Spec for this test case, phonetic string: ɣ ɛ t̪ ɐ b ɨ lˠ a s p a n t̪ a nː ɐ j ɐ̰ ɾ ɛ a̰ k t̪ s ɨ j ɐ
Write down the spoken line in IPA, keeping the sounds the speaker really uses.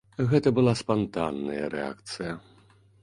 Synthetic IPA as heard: ɣ ɛ t̪ ɐ b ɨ lˠ a s p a n t̪ a nː ɐ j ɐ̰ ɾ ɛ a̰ k t̪ s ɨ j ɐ